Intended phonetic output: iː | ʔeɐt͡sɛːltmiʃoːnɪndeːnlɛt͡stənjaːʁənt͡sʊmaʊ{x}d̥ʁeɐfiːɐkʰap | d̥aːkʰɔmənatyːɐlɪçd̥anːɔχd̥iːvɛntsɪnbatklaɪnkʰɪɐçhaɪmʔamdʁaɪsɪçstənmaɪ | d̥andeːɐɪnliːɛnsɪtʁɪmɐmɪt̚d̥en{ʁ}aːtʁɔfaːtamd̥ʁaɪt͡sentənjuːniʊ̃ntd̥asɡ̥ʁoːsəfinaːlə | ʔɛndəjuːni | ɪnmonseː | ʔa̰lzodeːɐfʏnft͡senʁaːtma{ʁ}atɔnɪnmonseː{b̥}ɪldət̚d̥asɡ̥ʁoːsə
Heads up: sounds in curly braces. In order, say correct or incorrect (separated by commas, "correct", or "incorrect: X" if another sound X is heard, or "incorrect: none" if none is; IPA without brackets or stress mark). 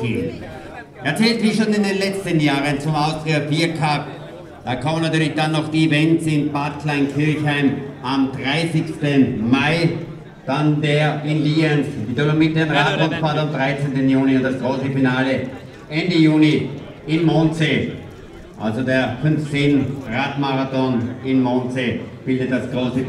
incorrect: s, correct, correct, correct